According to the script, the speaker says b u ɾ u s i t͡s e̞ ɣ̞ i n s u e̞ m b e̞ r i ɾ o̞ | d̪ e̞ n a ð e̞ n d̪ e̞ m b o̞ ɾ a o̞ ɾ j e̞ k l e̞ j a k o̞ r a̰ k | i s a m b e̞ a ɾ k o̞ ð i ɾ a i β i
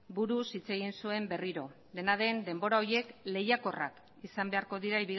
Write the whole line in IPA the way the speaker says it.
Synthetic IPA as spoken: b u ɾ u s i t͡s e̞ ɣ̞ i n s u e̞ m b e̞ r i ɾ o̞ | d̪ e̞ n a ð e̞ n d̪ e̞ m b o̞ ɾ a o̞ ɾ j e̞ k l e̞ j a k o̞ r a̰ k | i s a m b e̞ a ɾ k o̞ ð i ɾ a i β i